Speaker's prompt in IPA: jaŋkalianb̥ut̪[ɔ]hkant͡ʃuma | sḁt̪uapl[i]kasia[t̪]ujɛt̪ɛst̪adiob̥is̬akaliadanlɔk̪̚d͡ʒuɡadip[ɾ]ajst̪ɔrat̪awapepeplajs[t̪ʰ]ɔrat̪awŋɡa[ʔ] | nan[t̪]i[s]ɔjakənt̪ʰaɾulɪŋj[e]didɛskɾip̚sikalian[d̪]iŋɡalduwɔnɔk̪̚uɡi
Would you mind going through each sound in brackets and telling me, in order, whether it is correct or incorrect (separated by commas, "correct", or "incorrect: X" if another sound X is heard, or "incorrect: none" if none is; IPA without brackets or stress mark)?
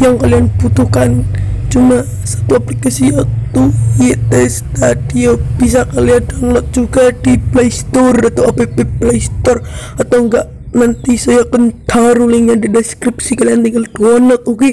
incorrect: u, correct, correct, incorrect: l, incorrect: t̪, correct, correct, correct, incorrect: a, incorrect: t̪